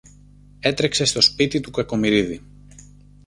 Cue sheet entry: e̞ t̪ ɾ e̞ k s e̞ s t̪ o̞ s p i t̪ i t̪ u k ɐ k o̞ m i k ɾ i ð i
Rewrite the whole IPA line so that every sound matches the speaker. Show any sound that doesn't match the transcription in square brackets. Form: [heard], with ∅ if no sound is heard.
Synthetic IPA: e̞ t̪ ɾ e̞ k s e̞ s t̪ o̞ s p i t̪ i t̪ u k ɐ k o̞ m i [∅] ɾ i ð i